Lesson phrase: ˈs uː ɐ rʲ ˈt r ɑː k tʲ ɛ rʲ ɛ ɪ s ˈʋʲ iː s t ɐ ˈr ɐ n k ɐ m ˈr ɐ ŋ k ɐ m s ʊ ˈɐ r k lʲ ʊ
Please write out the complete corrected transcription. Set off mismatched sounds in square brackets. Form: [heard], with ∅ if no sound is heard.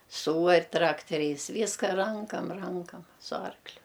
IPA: ˈs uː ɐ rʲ ˈt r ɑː k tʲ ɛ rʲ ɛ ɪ s ˈʋʲ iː s [k] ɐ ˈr ɐ [ŋ] k ɐ m ˈr ɐ ŋ k ɐ m s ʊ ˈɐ r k lʲ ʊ